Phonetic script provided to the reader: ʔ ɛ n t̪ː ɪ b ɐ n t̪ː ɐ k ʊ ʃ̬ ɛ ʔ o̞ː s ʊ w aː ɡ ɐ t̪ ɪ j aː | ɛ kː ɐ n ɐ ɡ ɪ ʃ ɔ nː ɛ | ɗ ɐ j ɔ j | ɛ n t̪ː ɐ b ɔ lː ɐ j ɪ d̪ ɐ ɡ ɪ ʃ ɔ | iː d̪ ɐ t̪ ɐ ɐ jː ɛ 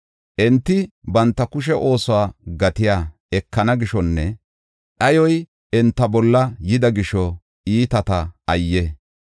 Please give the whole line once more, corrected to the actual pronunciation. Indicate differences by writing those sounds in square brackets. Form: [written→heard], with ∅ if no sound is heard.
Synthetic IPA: ʔ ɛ n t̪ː ɪ b ɐ n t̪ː ɐ k ʊ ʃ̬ ɛ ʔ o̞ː s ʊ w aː ɡ ɐ t̪ ɪ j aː | ɛ kː ɐ n ɐ ɡ ɪ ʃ ɔ nː ɛ | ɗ ɐ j ɔ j | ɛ n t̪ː ɐ b ɔ lː ɐ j ɪ d̪ ɐ ɡ ɪ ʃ ɔ | iː [d̪→t̪] ɐ t̪ ɐ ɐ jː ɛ